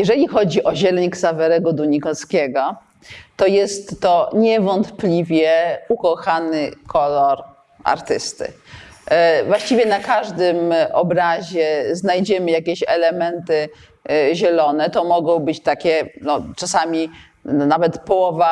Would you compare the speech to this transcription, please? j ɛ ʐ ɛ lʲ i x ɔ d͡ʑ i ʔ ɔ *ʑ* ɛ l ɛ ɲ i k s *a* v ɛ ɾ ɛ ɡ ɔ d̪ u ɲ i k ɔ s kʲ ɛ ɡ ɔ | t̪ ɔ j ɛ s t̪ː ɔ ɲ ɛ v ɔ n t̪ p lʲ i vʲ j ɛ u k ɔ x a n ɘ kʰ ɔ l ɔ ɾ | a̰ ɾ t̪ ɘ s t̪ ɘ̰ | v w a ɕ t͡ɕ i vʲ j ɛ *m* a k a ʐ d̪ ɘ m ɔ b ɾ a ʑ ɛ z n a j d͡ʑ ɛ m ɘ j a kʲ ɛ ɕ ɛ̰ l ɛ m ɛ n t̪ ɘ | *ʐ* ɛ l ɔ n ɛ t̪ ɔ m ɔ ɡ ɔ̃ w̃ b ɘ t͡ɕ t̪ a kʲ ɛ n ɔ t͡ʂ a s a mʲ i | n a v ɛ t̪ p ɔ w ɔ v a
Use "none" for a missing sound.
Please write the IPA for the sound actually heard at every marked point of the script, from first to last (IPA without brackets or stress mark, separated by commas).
ʑ, a, n, ʑ